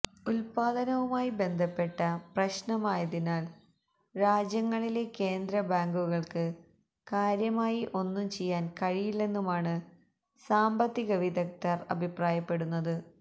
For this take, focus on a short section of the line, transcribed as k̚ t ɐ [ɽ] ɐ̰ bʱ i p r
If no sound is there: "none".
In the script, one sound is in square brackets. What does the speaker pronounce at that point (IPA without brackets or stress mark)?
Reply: r